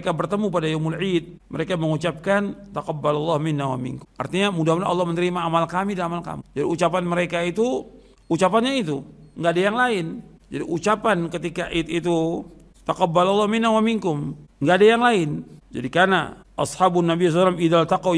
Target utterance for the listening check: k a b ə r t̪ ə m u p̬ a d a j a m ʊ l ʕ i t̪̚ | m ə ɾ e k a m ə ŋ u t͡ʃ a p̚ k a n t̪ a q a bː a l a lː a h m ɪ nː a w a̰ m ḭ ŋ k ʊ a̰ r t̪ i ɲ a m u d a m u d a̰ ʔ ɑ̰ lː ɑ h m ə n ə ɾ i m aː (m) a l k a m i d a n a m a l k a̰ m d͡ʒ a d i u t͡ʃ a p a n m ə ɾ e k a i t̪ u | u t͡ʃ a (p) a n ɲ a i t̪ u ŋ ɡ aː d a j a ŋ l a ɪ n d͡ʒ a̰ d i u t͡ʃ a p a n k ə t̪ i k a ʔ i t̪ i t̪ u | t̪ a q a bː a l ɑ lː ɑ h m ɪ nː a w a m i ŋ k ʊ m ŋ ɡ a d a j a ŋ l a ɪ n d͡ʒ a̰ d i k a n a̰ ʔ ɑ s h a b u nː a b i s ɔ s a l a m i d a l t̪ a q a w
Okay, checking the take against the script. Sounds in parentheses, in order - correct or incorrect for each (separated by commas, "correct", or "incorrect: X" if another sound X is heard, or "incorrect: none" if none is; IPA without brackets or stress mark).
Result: correct, correct